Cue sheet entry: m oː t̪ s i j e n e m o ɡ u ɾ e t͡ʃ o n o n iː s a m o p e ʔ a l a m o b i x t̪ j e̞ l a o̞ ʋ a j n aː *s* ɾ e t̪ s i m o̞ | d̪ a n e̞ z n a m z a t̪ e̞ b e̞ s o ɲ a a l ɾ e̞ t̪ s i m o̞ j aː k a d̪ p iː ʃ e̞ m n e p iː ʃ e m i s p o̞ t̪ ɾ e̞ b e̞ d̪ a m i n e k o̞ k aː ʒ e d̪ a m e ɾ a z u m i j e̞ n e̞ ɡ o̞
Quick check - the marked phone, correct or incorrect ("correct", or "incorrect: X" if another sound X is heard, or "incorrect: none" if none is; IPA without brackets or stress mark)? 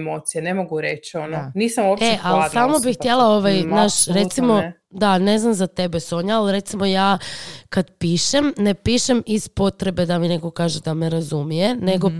incorrect: ʃ